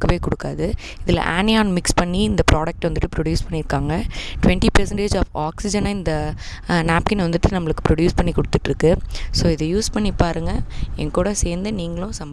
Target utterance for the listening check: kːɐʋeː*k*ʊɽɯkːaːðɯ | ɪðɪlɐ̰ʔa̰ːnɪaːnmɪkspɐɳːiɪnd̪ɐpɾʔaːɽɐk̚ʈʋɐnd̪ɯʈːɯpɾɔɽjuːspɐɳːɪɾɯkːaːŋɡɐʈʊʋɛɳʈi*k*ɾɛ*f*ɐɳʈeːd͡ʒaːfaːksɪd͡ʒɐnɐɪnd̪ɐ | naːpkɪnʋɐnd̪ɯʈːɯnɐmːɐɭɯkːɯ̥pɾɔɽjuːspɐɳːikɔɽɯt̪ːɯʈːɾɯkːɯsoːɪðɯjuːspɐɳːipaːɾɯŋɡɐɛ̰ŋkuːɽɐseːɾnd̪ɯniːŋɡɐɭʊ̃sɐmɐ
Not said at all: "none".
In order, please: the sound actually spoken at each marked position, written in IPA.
k, p, s

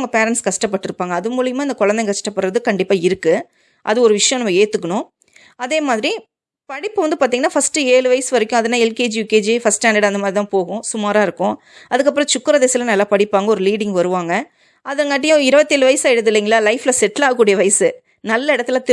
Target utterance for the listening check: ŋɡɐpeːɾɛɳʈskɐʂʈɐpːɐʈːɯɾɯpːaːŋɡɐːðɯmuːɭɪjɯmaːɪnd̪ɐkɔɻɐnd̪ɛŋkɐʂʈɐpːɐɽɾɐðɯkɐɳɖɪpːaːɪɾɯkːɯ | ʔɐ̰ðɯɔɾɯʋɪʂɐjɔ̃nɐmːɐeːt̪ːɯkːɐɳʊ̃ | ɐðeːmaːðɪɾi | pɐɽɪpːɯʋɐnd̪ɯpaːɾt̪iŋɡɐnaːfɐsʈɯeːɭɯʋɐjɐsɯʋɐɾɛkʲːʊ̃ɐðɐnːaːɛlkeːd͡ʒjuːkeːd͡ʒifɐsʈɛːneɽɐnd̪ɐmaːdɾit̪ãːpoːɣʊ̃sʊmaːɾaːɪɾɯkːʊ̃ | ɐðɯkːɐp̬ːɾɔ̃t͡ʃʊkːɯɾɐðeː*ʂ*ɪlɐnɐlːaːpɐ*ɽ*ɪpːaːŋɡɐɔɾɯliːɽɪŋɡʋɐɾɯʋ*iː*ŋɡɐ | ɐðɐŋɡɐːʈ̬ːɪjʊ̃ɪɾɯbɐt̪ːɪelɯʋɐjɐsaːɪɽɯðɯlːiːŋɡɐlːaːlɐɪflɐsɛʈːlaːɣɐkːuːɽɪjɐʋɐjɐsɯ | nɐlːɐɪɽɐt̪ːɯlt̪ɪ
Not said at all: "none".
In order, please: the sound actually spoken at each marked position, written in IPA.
s, ɽ, aː

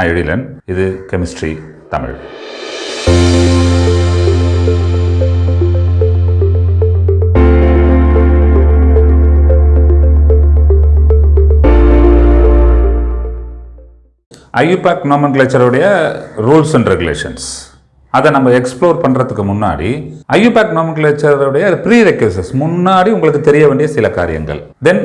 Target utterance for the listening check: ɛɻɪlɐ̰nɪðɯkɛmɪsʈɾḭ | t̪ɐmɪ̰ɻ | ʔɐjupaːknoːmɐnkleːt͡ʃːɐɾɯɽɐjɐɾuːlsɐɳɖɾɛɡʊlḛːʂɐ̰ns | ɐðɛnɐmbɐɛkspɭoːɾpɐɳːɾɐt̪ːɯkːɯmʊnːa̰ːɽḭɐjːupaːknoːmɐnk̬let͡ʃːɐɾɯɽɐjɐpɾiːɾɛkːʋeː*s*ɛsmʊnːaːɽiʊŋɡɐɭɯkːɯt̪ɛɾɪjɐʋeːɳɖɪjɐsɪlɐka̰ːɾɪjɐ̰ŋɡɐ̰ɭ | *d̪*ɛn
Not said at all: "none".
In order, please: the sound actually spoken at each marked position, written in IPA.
s, d̪

